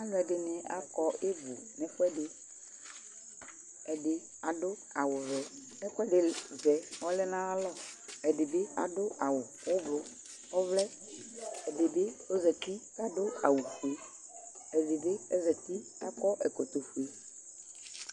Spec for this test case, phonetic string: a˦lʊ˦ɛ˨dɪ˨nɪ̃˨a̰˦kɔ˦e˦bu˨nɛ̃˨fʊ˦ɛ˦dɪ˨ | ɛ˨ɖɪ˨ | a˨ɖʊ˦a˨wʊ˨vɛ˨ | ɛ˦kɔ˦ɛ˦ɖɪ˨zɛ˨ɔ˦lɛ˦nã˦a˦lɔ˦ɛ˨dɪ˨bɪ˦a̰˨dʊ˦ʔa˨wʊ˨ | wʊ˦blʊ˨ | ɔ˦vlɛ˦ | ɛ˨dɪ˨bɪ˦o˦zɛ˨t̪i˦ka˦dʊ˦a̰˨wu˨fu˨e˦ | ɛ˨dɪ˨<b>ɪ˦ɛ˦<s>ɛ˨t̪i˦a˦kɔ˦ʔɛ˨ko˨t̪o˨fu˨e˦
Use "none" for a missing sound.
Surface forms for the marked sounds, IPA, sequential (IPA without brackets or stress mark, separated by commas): b, z